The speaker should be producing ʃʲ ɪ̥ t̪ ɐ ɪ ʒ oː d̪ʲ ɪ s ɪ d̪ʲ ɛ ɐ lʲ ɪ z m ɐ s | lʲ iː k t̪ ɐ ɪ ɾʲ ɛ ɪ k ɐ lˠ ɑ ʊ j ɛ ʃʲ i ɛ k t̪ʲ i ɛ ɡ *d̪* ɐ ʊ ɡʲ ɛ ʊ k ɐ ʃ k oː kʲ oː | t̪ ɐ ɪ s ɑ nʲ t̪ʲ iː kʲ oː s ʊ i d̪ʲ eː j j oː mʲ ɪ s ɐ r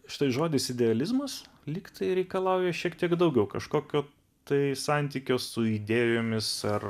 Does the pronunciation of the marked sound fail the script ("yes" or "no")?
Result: no